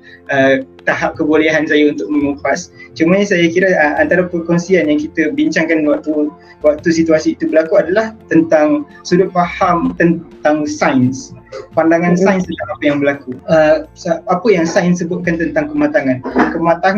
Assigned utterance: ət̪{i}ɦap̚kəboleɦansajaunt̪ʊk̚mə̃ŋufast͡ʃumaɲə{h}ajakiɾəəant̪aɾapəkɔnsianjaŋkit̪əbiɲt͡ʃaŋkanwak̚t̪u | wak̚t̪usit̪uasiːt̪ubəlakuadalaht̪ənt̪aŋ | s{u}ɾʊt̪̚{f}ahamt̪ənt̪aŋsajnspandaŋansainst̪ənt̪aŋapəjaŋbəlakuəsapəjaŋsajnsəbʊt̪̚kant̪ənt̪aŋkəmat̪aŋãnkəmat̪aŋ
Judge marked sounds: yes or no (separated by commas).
no, no, yes, yes